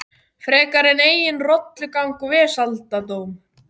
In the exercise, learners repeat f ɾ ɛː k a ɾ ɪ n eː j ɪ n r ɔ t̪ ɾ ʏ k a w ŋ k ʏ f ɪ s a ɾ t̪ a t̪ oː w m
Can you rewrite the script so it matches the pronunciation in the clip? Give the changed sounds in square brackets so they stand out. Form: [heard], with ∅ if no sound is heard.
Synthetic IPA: f ɾ ɛː k a ɾ ɪ n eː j ɪ n r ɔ t̪ [l] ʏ k a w ŋ k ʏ [v] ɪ s a [l] t̪ a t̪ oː w m